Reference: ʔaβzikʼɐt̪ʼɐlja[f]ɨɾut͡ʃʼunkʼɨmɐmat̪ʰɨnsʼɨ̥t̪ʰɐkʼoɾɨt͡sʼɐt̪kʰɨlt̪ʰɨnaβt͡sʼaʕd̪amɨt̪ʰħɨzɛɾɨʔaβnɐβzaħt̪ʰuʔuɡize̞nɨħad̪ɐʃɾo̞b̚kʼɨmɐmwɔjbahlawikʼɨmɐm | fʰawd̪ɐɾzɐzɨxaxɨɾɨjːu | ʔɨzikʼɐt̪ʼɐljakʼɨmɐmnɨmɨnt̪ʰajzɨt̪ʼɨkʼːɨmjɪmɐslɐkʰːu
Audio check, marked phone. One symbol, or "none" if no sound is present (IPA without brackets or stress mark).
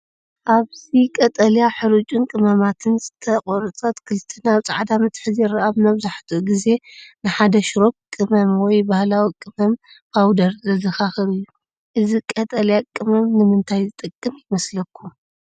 ħ